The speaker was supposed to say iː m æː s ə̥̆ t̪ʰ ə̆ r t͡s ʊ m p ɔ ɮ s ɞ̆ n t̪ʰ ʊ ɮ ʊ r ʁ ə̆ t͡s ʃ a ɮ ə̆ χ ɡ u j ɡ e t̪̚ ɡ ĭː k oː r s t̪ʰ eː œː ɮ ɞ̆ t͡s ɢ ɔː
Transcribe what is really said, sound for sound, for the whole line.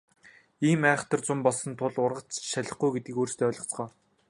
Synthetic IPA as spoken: iː m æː χ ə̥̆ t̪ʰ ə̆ r t͡s ʊ m p ɔ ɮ s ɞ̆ n t̪ʰ ʊ ɮ ʊ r ʁ ə̆ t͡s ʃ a ɮ ə̆ χ ɡ u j ɡ e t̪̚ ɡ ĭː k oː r s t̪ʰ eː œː ɮ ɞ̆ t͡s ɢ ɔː